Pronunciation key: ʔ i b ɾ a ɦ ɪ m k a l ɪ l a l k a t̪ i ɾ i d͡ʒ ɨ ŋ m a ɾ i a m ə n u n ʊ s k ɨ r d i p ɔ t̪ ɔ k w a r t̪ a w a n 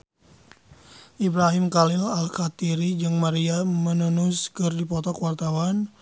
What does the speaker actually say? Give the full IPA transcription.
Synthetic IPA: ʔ i b ɾ a ɦ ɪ m k a l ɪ l a l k a t̪ i ɾ i d͡ʒ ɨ ŋ m a ɾ i a m ə n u n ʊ s k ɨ r d i p ɔ t̪ ɔ k w a r t̪ a w a n